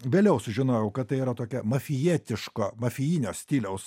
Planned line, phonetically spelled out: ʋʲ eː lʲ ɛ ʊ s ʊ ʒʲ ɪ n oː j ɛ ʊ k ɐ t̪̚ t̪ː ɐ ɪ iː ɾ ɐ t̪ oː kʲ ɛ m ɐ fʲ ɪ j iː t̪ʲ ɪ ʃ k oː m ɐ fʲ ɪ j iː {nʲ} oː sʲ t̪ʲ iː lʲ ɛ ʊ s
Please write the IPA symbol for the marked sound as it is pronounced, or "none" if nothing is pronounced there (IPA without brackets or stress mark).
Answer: nʲ